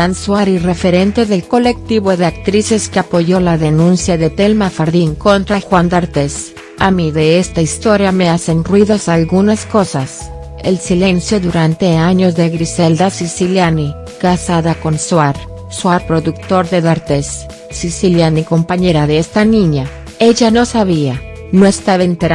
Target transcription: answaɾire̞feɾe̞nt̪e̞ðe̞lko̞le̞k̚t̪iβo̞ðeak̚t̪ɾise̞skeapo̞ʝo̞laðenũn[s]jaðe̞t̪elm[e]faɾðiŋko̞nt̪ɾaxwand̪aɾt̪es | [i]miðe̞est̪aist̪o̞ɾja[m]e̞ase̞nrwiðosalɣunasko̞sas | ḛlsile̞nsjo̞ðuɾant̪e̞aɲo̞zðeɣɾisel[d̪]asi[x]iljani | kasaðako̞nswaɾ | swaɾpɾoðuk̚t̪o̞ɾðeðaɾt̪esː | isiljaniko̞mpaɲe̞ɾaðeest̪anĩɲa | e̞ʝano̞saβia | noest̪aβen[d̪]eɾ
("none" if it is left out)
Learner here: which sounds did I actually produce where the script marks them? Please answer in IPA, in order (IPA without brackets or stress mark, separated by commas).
s, a, a, m, d̪, s, t̪